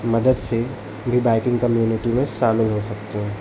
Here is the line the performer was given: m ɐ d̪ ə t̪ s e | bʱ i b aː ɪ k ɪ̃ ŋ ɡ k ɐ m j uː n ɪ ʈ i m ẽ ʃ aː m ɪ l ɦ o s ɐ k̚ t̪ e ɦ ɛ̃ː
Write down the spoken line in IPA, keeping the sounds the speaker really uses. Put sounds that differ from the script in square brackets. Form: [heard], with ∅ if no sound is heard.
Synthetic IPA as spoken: m ɐ d̪ ə [d̪] s e | bʱ i b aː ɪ k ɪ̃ ŋ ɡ k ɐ m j uː n ɪ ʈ i m ẽ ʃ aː m ɪ l ɦ o s ɐ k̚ t̪ e ɦ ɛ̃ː